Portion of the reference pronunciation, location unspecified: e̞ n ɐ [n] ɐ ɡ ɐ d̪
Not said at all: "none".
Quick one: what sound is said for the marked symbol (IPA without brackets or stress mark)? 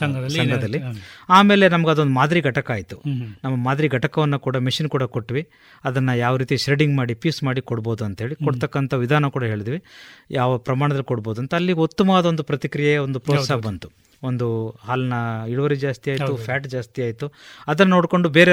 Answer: m